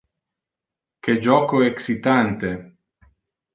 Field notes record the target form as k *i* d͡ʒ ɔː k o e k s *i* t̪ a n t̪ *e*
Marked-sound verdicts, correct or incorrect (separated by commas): incorrect, correct, correct